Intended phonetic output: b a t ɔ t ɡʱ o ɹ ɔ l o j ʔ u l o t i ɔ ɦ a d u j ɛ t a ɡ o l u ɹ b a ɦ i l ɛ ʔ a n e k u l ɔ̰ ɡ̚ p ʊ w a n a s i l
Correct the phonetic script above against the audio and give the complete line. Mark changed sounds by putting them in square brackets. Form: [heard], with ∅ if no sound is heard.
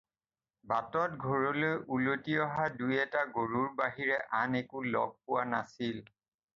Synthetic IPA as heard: b a t ɔ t ɡʱ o ɹ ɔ l o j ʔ u l o t i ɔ ɦ a d u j ɛ t a ɡ o [ɹ] u ɹ b a ɦ i [ɹ] ɛ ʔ a n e k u l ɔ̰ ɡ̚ p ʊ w a n a s i l